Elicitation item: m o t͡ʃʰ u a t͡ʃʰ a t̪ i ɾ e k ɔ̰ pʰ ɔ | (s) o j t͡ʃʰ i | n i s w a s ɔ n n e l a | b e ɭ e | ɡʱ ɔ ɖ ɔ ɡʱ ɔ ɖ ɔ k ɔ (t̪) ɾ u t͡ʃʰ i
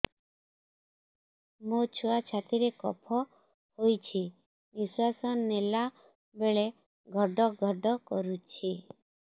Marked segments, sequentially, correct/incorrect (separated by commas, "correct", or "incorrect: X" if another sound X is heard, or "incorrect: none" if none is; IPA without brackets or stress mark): incorrect: h, incorrect: none